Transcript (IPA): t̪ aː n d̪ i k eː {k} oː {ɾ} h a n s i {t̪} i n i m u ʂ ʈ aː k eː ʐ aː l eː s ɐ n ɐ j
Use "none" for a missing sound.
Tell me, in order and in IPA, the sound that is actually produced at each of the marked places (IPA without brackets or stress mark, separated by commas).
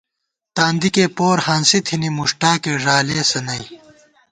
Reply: p, ɾ, t̪ʰ